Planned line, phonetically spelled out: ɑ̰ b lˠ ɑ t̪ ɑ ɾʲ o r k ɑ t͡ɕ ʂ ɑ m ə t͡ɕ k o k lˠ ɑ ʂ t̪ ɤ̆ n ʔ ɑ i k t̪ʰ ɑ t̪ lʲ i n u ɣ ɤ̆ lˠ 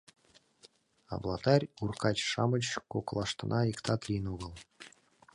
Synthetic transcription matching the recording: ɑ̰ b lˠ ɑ t̪ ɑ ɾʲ u r k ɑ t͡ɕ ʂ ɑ m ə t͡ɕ k o k lˠ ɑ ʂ t̪ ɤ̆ n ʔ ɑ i k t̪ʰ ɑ t̪ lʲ i n u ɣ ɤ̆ lˠ